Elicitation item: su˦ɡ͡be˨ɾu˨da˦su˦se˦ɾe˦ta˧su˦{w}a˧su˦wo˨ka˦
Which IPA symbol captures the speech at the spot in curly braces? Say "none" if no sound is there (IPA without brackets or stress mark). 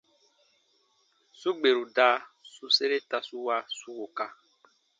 w